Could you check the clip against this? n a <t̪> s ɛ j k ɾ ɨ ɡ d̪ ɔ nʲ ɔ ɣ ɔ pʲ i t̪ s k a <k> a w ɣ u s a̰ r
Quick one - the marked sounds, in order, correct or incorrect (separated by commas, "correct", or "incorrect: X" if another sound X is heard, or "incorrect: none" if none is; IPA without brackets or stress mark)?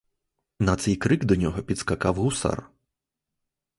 correct, correct